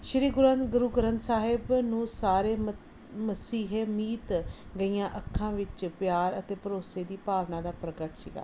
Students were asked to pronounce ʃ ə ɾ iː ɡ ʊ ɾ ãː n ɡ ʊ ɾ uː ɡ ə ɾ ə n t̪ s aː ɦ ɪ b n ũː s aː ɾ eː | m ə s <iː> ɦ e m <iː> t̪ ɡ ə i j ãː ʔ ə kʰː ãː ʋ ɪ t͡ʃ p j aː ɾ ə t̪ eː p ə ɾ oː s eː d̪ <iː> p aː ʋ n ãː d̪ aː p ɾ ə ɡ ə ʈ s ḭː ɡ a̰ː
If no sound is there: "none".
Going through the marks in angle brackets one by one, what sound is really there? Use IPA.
iː, iː, iː

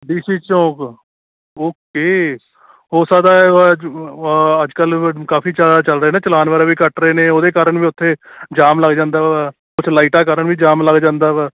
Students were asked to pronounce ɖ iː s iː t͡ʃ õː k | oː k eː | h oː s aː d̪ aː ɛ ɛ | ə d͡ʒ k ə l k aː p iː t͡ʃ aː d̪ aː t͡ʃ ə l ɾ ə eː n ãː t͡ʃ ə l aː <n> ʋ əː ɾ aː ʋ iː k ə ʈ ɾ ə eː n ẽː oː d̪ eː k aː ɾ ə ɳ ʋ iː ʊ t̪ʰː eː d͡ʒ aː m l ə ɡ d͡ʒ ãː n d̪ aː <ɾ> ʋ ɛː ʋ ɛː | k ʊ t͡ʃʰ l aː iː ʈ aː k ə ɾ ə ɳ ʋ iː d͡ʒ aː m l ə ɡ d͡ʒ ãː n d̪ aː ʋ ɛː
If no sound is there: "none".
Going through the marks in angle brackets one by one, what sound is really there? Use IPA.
n, none

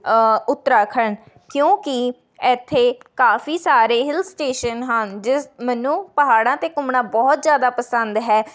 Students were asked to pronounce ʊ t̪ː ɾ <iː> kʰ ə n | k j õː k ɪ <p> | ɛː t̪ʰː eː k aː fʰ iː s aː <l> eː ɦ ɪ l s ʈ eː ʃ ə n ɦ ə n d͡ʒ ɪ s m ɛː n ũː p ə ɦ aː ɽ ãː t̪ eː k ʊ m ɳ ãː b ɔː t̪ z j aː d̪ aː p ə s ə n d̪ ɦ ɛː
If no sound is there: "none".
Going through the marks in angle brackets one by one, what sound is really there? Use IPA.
aː, none, ɾ

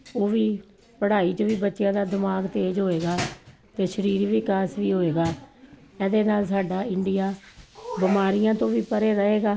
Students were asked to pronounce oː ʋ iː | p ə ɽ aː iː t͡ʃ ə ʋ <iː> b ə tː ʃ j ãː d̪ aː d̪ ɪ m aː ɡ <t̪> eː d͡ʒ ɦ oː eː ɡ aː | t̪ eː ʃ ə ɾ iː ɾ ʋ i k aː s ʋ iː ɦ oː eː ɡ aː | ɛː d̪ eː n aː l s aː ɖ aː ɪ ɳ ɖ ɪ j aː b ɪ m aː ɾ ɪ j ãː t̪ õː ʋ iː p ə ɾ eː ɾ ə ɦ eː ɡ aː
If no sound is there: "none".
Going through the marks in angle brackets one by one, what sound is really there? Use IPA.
iː, t̪

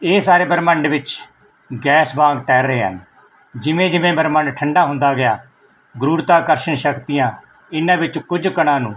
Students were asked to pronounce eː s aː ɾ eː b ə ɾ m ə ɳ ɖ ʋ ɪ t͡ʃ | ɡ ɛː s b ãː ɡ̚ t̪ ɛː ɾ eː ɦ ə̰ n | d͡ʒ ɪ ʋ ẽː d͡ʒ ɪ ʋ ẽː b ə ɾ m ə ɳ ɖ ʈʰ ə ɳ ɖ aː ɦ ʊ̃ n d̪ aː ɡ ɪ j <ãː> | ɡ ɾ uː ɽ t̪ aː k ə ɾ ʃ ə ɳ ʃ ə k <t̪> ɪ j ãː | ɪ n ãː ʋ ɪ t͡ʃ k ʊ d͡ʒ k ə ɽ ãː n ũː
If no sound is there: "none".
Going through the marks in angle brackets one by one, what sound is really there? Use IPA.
aː, t̪

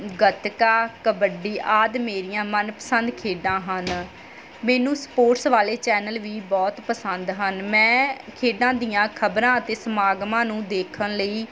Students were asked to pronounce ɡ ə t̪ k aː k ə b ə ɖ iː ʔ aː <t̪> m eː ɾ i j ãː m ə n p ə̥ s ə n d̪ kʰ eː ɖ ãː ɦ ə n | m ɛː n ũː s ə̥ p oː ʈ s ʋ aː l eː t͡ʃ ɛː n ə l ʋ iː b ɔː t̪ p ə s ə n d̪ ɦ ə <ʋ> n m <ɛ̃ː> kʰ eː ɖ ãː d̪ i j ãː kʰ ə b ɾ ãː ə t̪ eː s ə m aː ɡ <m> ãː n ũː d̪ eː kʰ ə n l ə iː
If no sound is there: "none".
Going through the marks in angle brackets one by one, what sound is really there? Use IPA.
d̪, none, ɛ̃ː, m

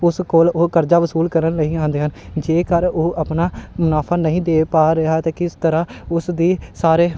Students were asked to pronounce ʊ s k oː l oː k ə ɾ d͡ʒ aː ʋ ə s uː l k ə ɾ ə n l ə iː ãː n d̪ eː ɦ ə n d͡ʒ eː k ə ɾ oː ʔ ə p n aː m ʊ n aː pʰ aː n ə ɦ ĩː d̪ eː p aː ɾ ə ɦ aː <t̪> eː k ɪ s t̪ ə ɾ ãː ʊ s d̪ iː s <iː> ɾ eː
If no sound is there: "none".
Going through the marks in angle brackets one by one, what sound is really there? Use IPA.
t̪, aː

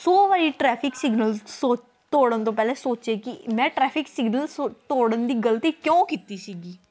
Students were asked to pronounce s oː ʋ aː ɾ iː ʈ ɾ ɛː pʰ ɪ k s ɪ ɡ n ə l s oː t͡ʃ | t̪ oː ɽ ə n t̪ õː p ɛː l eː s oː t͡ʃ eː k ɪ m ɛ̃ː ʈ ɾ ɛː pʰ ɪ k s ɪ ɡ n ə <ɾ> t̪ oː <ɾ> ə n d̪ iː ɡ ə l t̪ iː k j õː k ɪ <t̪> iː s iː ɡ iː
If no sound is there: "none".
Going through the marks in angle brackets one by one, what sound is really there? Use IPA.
l, ɽ, t̪

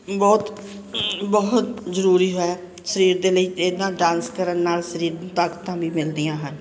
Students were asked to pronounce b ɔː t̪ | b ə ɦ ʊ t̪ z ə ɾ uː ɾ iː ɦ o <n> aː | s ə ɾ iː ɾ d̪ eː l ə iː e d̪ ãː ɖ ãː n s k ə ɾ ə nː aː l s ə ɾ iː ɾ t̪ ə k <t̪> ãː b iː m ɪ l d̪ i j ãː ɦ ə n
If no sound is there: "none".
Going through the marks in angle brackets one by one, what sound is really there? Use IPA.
none, t̪

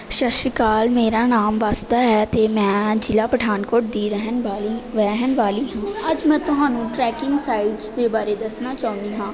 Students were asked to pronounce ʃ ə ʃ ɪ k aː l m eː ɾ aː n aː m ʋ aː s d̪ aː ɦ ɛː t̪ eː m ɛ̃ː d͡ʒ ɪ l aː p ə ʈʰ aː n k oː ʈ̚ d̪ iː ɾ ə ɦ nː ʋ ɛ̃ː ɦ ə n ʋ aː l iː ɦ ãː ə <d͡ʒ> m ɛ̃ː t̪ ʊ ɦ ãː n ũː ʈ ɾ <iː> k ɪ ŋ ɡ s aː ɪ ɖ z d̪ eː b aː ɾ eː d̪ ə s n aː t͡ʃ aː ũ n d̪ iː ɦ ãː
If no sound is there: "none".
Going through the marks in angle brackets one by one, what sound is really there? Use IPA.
d͡ʒ, ɛː

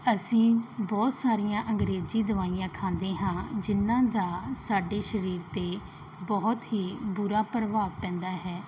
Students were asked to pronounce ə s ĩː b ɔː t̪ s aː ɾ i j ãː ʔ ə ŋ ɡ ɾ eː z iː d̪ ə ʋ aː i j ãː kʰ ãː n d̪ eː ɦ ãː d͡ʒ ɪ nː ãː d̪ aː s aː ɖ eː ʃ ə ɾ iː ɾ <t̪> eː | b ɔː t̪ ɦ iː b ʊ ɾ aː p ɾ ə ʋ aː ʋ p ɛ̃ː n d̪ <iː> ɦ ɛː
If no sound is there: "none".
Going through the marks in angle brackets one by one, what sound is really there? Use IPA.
t̪, aː

